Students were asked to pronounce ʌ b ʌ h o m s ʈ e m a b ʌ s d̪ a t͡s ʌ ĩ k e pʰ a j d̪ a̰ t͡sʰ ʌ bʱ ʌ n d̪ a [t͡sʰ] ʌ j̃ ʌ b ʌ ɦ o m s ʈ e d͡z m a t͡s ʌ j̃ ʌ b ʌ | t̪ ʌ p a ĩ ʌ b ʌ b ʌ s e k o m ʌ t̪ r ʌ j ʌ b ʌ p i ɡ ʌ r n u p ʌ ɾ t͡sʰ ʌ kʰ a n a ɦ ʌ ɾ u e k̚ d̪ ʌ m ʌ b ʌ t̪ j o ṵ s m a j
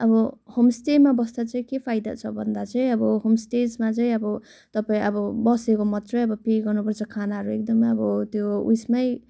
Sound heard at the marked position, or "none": t͡s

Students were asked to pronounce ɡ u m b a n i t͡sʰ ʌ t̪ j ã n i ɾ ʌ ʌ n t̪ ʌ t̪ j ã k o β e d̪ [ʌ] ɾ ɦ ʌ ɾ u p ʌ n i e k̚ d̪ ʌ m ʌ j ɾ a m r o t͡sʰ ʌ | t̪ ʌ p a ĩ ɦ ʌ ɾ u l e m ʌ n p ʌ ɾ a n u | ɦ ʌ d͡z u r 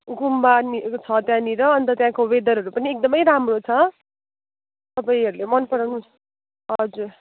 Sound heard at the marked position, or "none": ʌ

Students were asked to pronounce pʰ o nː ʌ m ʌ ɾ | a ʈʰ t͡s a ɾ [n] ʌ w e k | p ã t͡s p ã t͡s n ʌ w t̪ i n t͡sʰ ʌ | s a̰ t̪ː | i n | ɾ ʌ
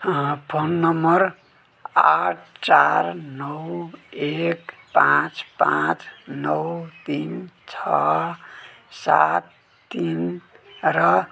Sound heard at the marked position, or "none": n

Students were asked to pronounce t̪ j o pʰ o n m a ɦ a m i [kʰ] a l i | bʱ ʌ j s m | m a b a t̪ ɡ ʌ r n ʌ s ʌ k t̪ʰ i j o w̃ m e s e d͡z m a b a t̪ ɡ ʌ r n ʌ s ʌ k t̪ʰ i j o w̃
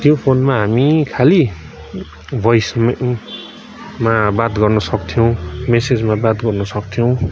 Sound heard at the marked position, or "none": kʰ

